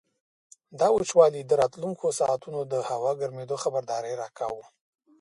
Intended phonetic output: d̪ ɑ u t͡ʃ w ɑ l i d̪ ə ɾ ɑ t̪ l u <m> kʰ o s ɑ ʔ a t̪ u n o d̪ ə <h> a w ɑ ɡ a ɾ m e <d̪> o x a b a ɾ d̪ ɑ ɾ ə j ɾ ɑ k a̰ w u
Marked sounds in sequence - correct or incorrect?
incorrect: ŋ, correct, correct

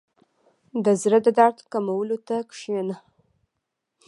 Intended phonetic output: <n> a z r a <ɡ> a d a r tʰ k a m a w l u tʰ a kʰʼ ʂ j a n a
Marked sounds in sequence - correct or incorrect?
incorrect: d, incorrect: d

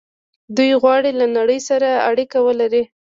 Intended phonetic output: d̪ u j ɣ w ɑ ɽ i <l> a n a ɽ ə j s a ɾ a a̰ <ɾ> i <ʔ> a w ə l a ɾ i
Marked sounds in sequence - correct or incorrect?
correct, incorrect: ɽ, incorrect: k

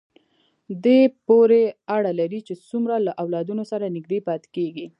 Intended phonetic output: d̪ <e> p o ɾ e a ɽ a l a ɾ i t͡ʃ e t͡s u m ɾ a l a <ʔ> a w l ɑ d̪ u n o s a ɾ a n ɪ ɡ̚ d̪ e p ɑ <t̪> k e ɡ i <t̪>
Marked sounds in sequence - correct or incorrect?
correct, correct, correct, incorrect: none

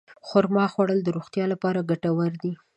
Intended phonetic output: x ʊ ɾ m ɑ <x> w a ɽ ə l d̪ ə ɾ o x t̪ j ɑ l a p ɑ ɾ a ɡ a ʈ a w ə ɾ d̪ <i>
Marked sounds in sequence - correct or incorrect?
correct, correct

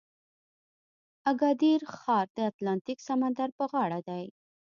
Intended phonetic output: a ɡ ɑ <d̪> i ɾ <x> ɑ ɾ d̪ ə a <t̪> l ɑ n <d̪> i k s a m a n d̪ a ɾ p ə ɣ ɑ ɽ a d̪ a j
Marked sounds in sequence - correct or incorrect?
correct, correct, correct, incorrect: t̪

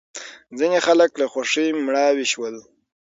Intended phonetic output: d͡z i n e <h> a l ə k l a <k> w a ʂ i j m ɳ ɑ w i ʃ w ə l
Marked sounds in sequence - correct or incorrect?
incorrect: x, incorrect: x

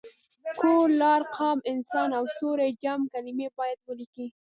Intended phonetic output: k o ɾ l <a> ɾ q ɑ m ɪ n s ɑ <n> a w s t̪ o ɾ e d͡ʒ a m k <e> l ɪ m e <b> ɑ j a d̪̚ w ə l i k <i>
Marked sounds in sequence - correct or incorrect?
incorrect: ɑ, correct, incorrect: a, correct, correct

